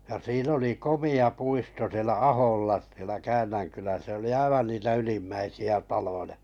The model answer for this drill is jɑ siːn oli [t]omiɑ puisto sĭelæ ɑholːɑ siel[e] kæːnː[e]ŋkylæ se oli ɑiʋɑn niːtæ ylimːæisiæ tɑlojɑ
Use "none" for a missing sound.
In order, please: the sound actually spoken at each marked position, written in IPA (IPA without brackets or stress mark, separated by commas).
k, æ, æ